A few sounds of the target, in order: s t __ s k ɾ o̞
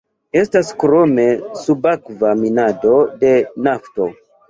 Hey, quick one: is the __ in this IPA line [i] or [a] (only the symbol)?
a